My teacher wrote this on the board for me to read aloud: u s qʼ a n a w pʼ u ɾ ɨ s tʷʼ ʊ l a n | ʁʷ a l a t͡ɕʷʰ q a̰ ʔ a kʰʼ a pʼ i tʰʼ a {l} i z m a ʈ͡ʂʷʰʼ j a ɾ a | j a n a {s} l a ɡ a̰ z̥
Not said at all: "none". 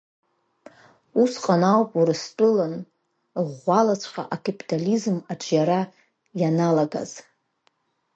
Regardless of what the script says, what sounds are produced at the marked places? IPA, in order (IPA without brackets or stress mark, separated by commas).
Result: l, none